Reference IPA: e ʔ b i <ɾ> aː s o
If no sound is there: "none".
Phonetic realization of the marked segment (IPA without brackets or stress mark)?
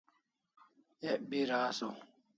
ɾ